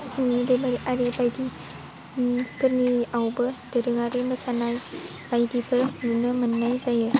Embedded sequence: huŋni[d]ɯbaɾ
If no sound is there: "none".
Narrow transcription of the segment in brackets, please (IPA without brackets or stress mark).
d